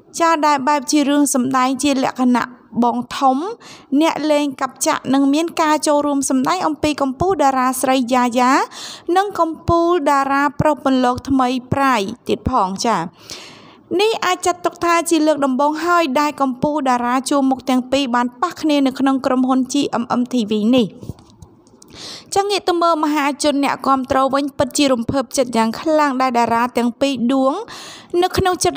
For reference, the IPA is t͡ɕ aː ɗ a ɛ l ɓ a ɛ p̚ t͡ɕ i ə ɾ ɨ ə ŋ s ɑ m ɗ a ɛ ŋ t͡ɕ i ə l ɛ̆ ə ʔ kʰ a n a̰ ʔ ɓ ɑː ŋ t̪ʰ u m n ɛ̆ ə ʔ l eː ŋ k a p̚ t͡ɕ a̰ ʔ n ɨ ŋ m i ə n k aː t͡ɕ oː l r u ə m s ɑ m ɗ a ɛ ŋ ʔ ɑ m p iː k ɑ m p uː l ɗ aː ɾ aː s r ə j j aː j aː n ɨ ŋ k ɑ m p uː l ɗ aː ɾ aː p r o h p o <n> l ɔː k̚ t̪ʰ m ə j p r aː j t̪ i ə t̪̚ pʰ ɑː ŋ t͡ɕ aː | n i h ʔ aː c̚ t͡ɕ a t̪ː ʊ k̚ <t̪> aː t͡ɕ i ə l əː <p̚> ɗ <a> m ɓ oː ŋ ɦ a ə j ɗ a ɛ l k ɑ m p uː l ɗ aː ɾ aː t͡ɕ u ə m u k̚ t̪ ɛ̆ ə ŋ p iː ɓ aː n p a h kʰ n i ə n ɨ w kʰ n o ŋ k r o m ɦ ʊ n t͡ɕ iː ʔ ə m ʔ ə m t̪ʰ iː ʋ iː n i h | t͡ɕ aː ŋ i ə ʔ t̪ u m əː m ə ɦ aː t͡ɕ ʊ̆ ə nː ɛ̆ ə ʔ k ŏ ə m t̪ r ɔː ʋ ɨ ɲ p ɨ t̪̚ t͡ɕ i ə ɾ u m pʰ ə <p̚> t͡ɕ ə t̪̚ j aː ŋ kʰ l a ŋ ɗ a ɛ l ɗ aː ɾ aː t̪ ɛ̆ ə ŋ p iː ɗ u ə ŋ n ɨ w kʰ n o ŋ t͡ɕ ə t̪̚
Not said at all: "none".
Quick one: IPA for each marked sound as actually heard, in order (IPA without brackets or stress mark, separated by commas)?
n, t̪ʰ, k̚, ɑ, p̚